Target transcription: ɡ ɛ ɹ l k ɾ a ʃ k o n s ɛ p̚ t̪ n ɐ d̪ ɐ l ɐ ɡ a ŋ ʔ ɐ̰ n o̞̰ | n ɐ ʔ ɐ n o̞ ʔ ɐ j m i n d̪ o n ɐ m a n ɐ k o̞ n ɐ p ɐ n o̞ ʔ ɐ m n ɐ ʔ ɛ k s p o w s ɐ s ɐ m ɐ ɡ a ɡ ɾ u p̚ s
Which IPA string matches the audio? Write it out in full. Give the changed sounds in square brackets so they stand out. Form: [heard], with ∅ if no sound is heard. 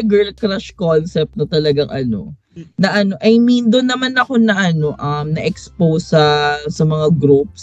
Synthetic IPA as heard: ɡ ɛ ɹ l k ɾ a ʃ k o n s ɛ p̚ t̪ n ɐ [t̪] ɐ l ɐ ɡ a ŋ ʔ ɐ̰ n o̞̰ | n ɐ ʔ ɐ n o̞ ʔ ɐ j m i n d̪ o n ɐ m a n ɐ k o̞ n ɐ [ʔ] ɐ n o̞ ʔ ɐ m n ɐ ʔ ɛ k s p o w s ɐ s ɐ m ɐ [ŋ] a ɡ ɾ u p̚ s